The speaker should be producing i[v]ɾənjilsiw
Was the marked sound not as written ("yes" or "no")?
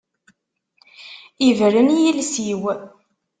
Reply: no